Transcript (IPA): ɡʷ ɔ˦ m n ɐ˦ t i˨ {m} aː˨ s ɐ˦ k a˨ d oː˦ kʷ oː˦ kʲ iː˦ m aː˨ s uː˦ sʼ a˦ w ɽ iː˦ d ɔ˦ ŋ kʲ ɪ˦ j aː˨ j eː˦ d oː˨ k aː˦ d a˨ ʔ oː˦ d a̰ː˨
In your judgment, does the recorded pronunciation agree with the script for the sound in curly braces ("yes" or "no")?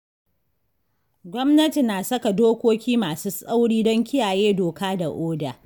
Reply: no